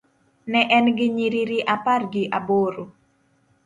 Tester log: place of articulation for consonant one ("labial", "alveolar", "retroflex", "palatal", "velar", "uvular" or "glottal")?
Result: alveolar